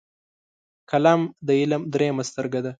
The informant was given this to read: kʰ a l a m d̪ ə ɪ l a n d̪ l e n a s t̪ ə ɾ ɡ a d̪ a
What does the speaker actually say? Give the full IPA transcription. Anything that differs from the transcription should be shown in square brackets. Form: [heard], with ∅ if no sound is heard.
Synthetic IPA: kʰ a l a m d̪ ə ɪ l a [m] d̪ [ɾ] e [m] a s t̪ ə ɾ ɡ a d̪ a